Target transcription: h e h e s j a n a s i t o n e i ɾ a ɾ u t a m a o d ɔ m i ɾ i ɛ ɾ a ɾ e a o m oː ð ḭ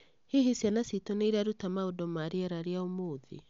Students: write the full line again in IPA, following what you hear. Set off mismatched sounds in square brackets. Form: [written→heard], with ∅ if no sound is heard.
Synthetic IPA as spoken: h e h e s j a n a s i t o n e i ɾ a ɾ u t a m a o d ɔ m [i→a] ɾ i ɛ ɾ a ɾ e a o m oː ð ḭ